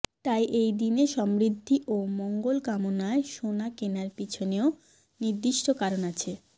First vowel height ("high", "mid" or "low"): low